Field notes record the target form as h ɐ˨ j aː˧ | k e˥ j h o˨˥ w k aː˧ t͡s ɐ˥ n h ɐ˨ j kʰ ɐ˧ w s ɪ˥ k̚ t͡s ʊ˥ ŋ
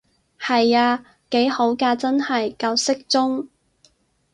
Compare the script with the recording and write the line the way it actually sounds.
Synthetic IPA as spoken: h ɐ˨ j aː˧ | k e˨˥ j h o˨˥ w k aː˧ t͡s ɐ˥ n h ɐ˨ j k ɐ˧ w s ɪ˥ k̚ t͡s ʊ˥ ŋ